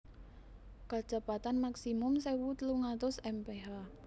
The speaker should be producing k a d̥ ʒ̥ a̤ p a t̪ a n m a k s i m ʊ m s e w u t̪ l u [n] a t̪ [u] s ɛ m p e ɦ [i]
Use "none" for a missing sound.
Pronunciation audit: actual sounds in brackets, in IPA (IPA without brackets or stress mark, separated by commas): ŋ, ʊ, a